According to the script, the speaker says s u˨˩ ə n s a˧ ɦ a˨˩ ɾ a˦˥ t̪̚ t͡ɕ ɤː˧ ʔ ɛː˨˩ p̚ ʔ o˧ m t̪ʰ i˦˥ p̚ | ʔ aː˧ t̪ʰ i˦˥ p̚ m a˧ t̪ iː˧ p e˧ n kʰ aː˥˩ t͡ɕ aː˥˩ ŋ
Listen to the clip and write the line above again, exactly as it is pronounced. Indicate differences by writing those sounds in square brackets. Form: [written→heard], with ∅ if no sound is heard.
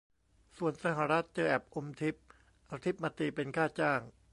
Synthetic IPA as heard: s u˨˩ ə n s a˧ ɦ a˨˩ ɾ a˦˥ t̪̚ t͡ɕ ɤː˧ ʔ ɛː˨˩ p̚ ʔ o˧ m t̪ʰ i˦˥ p̚ | ʔ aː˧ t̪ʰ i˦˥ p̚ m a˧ t̪ iː˧ p e˧ n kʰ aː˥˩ t͡ɕ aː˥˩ ŋ

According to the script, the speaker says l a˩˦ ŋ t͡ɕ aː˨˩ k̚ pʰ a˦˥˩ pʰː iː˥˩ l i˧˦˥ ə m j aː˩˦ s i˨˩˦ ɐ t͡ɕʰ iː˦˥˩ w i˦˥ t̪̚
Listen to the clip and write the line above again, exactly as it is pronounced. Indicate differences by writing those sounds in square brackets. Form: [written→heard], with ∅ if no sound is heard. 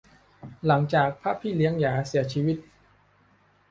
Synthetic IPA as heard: l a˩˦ ŋ t͡ɕ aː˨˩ k̚ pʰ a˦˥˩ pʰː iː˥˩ l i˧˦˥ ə [m→ŋ] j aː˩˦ s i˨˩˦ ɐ t͡ɕʰ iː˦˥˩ w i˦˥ t̪̚

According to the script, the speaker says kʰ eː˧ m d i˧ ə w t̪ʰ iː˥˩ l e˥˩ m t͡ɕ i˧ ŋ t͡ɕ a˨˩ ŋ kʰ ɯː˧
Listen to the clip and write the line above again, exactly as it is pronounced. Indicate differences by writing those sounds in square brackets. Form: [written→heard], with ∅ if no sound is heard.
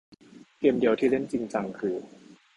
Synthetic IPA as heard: [kʰ→k] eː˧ m d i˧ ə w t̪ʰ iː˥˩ l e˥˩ [m→n] t͡ɕ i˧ ŋ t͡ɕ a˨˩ ŋ kʰ ɯː˧

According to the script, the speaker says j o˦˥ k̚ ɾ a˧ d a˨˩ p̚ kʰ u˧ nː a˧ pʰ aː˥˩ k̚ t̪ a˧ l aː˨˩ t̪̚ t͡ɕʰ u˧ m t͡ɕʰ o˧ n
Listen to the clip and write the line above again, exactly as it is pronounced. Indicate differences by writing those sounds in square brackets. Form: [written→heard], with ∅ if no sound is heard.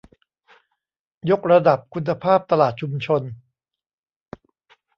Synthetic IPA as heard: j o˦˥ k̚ ɾ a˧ d a˨˩ p̚ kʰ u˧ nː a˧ pʰ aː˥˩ [k̚→p̚] t̪ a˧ l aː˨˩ t̪̚ t͡ɕʰ u˧ m t͡ɕʰ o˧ n

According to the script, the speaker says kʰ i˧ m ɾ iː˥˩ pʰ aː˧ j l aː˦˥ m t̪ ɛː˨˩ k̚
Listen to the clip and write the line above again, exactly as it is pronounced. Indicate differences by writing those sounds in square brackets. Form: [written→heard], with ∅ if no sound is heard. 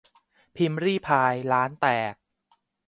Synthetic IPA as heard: [kʰ→pʰ] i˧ m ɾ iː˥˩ pʰ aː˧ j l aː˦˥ [m→n] t̪ ɛː˨˩ k̚

